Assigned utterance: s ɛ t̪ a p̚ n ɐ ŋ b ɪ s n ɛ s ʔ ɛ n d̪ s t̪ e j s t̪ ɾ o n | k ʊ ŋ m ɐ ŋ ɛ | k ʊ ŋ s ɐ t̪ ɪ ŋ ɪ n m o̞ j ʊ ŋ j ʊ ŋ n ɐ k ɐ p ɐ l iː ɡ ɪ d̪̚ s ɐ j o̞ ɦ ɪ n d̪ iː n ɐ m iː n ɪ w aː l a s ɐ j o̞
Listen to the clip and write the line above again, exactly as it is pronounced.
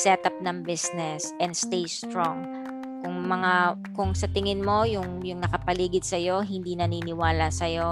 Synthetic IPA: s ɛ t̪ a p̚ n ɐ ŋ b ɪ s n ɛ s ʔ ɛ n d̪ s t̪ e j s t̪ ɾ o ŋ | k ʊ ŋ m ɐ ŋ a | k ʊ ŋ s ɐ t̪ ɪ ŋ ɪ n m o̞ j ʊ ŋ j ʊ ŋ n ɐ k ɐ p ɐ l iː ɡ ɪ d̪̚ s ɐ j o̞ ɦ ɪ n d̪ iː n ɐ n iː n ɪ w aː l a s ɐ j o̞